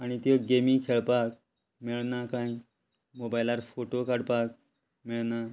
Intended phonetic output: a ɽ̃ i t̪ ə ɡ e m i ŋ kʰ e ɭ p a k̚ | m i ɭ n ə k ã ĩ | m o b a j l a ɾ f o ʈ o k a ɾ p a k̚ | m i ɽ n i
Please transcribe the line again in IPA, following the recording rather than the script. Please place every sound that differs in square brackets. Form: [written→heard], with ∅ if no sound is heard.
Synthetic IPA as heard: a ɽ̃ i t̪ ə ɡ e m i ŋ kʰ e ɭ p a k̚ | m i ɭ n [ə→a] k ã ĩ | m o b a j l a ɾ f o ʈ o k a [ɾ→ɽ] p a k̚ | m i [ɽ→ɭ] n [i→a]